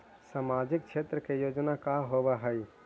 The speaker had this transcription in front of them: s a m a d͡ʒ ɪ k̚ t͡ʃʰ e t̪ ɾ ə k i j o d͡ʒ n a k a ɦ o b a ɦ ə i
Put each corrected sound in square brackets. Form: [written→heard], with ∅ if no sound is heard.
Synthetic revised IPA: s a m a d͡ʒ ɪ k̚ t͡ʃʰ e t̪ ɾ ə k [i→e] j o d͡ʒ n a k a ɦ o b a ɦ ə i